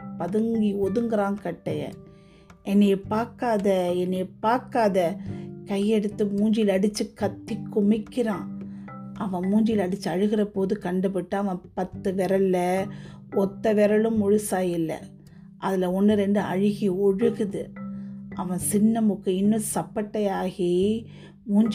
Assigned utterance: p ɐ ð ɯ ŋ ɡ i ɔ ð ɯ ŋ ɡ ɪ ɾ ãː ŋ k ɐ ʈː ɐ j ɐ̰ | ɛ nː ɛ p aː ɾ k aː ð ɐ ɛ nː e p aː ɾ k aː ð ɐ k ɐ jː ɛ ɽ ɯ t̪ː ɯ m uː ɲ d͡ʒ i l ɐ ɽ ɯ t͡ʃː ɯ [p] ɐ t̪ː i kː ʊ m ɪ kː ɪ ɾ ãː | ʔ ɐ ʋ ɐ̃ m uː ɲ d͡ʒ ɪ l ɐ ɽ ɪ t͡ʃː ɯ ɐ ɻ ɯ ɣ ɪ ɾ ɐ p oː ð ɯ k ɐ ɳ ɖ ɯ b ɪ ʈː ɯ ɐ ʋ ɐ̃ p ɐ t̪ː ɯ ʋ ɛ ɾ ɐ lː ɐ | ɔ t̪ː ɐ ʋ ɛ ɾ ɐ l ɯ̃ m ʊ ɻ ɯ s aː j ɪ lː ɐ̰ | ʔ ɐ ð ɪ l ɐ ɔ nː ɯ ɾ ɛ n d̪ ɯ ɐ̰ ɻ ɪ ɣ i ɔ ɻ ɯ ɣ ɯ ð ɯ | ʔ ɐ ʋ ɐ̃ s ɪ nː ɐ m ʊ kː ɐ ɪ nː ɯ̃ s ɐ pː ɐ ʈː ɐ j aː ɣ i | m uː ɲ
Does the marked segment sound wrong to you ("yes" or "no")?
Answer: yes